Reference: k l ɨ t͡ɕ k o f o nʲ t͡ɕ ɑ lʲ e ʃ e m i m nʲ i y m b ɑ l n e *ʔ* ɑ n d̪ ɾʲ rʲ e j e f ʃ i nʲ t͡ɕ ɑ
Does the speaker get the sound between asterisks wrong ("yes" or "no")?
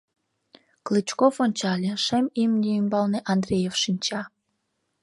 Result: no